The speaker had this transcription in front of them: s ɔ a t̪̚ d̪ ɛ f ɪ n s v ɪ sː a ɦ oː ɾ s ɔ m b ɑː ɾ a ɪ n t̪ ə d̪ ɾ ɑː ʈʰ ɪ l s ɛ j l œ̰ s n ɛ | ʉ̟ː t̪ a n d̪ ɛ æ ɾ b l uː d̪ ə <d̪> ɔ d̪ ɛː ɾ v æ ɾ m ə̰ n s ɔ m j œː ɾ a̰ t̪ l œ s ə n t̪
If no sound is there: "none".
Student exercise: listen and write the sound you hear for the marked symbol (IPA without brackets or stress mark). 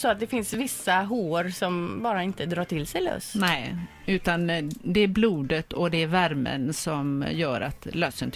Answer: t̪